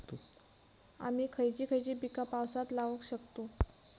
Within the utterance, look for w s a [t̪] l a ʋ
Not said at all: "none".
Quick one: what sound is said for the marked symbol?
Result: t̪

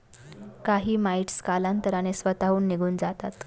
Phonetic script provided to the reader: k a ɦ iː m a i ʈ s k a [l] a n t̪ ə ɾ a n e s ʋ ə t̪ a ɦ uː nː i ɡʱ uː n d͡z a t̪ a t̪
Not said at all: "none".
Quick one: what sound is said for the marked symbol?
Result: l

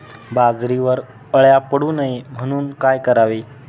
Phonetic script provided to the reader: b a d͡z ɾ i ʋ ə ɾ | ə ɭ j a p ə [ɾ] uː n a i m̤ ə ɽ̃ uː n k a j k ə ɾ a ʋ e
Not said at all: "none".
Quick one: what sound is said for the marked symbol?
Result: ɽ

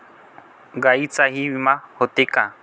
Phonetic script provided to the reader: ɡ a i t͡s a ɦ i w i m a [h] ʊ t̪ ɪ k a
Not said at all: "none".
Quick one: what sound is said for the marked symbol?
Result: h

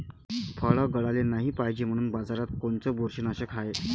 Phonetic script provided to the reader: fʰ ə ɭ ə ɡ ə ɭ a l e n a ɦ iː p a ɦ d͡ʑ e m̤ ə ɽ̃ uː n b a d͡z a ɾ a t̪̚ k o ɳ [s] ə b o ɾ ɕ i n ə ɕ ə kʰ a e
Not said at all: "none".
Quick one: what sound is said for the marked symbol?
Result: t͡s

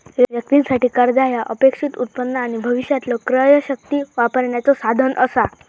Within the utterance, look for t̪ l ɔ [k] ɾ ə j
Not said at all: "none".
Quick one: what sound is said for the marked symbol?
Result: k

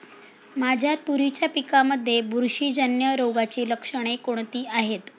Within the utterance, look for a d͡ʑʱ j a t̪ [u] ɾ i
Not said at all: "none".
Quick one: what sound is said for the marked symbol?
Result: u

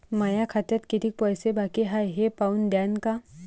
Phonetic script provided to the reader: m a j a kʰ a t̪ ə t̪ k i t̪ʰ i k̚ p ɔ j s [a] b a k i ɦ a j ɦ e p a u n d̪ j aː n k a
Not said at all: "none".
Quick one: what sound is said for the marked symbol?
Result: e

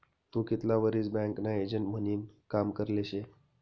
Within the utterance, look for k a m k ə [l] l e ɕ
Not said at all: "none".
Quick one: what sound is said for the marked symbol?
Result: ɾ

